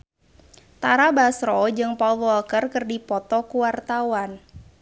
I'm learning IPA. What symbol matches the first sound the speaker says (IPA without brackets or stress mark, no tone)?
t̪